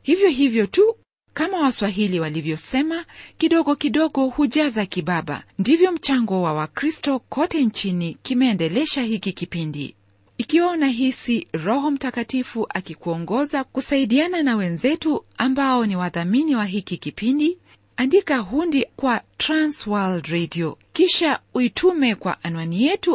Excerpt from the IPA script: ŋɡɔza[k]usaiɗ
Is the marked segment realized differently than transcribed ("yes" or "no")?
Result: no